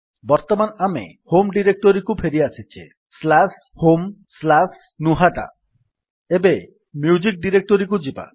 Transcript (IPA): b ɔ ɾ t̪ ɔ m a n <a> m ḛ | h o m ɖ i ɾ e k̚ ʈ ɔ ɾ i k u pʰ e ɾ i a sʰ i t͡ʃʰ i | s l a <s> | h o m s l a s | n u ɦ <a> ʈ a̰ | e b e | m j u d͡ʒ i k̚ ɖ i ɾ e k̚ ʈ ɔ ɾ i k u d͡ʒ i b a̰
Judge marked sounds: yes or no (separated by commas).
yes, yes, yes